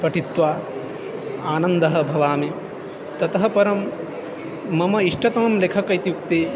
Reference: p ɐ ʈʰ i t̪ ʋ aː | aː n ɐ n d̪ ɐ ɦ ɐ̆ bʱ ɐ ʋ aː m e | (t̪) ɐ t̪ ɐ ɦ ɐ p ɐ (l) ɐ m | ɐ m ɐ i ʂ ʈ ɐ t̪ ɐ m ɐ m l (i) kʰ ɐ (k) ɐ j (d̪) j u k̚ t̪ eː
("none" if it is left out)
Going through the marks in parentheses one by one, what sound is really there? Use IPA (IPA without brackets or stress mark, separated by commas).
t̪, ɾ, e, k, t̪